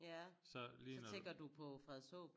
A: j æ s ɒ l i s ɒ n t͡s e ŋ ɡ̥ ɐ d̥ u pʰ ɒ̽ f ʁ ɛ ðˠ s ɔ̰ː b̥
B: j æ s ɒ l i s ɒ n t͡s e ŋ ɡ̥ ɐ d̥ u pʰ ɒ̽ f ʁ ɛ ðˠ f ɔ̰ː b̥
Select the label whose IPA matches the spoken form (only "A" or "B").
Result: A